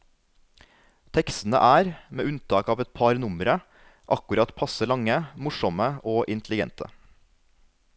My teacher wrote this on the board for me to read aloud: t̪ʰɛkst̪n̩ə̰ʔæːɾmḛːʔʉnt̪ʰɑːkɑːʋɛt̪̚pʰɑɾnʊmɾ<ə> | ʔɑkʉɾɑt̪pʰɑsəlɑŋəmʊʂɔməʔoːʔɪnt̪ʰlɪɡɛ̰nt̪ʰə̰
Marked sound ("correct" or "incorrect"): correct